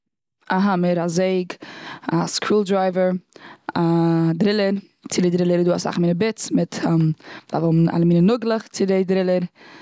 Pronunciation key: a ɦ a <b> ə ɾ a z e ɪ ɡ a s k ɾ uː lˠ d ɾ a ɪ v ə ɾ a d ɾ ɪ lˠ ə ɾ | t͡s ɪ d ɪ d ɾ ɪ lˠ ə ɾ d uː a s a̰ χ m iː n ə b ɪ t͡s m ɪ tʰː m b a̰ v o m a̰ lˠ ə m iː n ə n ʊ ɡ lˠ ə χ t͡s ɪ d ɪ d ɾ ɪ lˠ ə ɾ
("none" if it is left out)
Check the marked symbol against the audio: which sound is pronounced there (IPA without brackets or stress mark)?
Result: m